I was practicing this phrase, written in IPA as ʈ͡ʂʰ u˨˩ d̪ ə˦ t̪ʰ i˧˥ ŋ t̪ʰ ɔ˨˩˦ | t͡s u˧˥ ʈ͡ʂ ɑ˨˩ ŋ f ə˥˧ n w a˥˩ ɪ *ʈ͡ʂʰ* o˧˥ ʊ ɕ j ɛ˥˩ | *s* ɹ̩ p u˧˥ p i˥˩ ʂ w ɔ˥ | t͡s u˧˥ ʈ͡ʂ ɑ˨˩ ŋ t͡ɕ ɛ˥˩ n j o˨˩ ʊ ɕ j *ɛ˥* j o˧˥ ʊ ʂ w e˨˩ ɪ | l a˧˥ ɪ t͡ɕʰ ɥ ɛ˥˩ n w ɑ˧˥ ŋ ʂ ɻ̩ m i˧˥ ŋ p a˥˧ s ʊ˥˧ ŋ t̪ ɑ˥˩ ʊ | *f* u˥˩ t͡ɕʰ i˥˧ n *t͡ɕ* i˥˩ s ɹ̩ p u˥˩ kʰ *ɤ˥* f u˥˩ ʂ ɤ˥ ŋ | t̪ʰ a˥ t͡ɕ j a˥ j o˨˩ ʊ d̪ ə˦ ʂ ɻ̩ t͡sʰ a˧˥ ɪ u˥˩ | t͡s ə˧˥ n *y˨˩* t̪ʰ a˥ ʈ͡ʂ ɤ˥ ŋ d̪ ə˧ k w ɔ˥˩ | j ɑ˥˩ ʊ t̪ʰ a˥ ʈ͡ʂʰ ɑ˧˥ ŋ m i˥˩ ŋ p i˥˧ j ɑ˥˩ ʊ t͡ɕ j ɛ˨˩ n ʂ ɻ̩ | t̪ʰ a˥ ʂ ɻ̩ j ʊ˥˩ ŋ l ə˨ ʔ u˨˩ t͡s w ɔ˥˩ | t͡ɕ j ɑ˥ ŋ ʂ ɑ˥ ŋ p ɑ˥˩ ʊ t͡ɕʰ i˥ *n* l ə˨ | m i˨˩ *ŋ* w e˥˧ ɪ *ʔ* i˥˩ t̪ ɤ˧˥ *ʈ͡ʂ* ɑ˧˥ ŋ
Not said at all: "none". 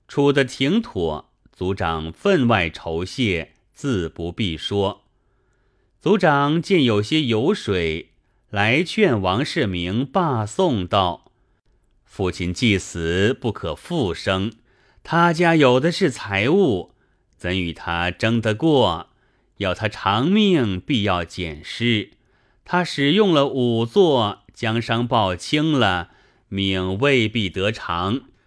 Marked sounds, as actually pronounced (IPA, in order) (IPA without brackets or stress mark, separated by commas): ʈ͡ʂʰ, t͡s, ɛ˥, f, t͡ɕ, ɤ˨˩, y˨˩, ŋ, ŋ, p, ʈ͡ʂʰ